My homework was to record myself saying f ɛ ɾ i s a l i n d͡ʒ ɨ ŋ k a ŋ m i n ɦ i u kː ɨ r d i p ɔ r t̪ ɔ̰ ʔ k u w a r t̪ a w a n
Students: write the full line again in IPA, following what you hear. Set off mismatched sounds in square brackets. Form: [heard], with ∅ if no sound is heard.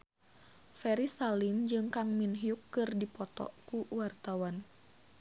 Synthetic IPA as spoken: f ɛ ɾ i s a l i n d͡ʒ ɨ ŋ k a ŋ m i n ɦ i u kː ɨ r d i p ɔ [∅] t̪ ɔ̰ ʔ k u w a r t̪ a w a n

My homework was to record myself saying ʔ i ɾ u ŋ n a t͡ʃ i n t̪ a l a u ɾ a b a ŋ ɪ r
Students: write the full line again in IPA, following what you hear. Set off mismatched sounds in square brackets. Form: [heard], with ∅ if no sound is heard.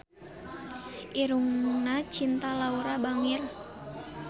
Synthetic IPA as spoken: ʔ i ɾ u ŋ n a t͡ʃ i n t̪ a l a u ɾ a b a ŋ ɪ r

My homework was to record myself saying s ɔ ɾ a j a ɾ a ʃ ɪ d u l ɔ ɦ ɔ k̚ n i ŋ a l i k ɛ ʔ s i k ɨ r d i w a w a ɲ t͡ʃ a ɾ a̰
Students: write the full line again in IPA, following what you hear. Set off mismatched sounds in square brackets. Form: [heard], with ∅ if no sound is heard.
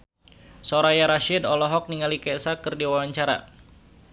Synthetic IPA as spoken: s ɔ ɾ a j a ɾ a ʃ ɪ d [ɔ] l ɔ ɦ ɔ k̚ n i ŋ a l i k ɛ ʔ s [a] k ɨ r d i w a w a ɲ t͡ʃ a ɾ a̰

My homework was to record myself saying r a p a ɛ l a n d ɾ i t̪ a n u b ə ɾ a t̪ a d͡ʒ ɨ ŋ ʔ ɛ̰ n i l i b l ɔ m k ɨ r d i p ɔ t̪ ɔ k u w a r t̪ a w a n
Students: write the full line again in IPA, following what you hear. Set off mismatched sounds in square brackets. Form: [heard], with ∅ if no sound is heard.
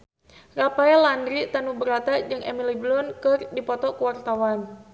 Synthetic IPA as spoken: r a p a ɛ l a n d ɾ i t̪ a n u b ə ɾ a t̪ a d͡ʒ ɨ ŋ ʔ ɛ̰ [m] i l i b l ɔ [n] k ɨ r d i p ɔ t̪ ɔ k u w a r t̪ a w a n

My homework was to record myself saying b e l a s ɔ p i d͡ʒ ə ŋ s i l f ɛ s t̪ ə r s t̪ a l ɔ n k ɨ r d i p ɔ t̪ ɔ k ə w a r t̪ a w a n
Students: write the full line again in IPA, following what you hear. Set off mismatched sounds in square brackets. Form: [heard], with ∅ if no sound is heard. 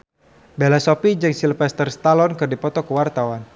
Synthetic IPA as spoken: b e l a s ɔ p i d͡ʒ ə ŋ s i l f ɛ s t̪ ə r s t̪ a l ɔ n k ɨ r d i p ɔ t̪ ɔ k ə w a r t̪ a w a n

